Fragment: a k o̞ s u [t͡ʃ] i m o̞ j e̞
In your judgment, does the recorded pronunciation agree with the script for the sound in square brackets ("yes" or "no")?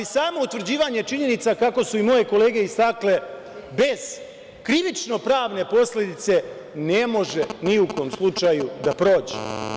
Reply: no